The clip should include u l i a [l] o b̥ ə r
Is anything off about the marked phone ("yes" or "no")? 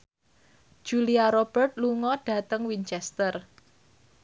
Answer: yes